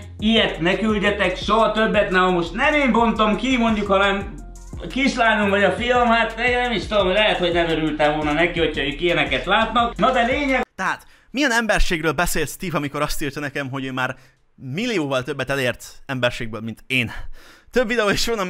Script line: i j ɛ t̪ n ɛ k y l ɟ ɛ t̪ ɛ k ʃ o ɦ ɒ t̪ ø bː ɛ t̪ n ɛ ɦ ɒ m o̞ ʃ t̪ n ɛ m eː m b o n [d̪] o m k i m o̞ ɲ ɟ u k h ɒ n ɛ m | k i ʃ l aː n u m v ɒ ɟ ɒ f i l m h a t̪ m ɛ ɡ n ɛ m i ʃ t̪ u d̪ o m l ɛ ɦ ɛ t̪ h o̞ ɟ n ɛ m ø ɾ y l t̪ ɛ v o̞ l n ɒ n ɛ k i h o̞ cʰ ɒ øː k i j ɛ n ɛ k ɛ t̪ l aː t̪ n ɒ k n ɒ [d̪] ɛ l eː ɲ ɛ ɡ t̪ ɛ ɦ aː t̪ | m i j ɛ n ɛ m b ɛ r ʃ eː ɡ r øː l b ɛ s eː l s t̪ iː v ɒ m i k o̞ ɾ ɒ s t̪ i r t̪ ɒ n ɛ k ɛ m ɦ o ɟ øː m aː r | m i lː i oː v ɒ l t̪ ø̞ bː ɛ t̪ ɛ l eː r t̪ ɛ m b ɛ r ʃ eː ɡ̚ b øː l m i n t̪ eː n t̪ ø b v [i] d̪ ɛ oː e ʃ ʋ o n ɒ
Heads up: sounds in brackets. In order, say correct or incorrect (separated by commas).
incorrect, correct, correct